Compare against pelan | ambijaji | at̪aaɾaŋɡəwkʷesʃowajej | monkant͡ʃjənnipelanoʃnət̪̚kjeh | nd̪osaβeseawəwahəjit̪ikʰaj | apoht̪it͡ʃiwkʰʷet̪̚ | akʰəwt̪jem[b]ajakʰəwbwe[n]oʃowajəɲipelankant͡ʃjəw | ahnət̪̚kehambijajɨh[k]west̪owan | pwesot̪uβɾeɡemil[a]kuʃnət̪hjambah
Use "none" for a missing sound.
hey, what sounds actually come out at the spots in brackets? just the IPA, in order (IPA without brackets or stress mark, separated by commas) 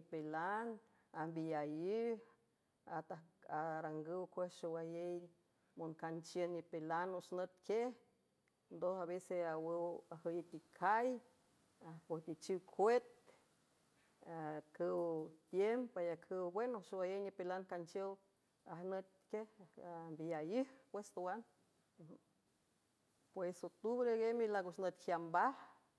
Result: p, n, p, a